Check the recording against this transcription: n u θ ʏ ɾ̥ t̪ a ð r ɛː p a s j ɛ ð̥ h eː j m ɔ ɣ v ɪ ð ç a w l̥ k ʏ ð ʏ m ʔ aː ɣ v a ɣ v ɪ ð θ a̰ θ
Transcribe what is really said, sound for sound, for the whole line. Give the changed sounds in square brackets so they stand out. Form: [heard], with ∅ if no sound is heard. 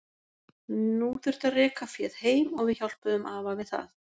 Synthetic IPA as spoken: n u θ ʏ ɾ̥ t̪ a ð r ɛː [k] a [f] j ɛ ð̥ h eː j m ɔ ɣ v ɪ ð ç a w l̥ [p] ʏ ð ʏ m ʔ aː [∅] v a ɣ v ɪ ð θ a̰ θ